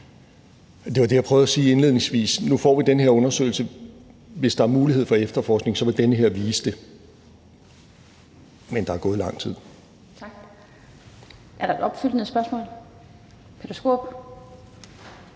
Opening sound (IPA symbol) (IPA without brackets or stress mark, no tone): d̥